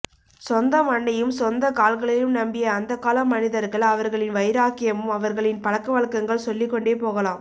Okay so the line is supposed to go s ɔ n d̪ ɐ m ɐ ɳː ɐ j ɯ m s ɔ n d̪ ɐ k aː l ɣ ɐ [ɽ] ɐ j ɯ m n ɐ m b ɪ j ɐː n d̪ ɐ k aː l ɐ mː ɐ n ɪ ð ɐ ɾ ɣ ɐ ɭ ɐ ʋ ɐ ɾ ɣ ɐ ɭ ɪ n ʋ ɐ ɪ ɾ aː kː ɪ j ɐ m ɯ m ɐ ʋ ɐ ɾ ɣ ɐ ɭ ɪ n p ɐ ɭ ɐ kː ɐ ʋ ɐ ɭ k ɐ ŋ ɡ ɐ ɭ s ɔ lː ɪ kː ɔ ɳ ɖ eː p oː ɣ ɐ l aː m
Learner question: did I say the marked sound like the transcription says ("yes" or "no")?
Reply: no